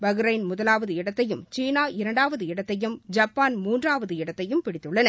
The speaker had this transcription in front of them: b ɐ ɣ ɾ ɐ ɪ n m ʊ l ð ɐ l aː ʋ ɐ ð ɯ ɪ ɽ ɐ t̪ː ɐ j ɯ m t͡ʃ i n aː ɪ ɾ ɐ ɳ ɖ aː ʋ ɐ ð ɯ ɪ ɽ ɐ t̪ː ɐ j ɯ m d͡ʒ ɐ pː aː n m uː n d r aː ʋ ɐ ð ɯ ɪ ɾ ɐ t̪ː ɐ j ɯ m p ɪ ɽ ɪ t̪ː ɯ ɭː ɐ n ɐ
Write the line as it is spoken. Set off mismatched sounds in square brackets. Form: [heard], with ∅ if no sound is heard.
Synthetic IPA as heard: b ɐ ɣ ɾ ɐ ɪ n m ʊ [∅] ð ɐ l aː ʋ ɐ ð ɯ ɪ ɽ ɐ t̪ː ɐ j ɯ m t͡ʃ [iː] n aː ɪ ɾ ɐ ɳ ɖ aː ʋ ɐ ð ɯ ɪ ɽ ɐ t̪ː ɐ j ɯ m d͡ʒ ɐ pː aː n m uː n d r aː ʋ ɐ ð ɯ ɪ [ɽ] ɐ t̪ː ɐ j ɯ m p ɪ ɽ ɪ t̪ː ɯ ɭː ɐ n ɐ

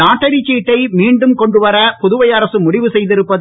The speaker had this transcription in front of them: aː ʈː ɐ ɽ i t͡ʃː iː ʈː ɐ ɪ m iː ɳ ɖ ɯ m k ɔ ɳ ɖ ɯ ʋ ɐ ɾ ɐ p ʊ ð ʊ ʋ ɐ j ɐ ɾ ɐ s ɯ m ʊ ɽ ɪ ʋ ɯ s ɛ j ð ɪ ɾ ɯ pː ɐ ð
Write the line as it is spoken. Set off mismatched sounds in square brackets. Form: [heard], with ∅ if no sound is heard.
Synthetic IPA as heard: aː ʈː ɐ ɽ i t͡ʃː iː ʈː ɐ ɪ m iː ɳ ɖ ɯ m k ɔ ɳ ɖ ɯ ʋ ɐ ɾ ɐ p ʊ ð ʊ ʋ ɐ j ɐ ɾ ɐ s ɯ m ʊ ɽ ɪ ʋ ɯ s ɛ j ð ɪ ɾ ɯ pː ɐ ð

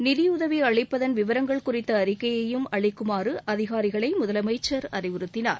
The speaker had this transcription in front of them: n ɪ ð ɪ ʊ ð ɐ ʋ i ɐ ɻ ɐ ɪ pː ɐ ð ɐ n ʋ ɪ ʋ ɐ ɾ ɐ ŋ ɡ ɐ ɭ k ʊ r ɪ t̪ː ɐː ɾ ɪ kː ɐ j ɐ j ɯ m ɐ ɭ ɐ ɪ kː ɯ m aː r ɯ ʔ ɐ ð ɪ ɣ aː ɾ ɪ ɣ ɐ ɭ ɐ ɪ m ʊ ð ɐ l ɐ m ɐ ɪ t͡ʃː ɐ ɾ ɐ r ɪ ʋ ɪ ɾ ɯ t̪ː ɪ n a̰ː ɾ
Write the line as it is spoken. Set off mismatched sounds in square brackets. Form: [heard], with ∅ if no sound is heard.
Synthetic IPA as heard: n ɪ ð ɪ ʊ ð ɐ ʋ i ɐ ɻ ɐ ɪ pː ɐ ð ɐ n ʋ ɪ ʋ ɐ ɾ ɐ ŋ ɡ ɐ ɭ k ʊ r ɪ t̪ː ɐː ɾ ɪ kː ɐ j ɐ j ɯ m ɐ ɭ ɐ ɪ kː ɯ m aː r ɯ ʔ ɐ ð ɪ ɣ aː ɾ ɪ ɣ ɐ ɭ ɐ ɪ m ʊ ð ɐ l ɐ m ɐ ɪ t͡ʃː ɐ ɾ ɐ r ɪ ʋ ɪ ɾ ɯ t̪ː ɪ n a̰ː ɾ

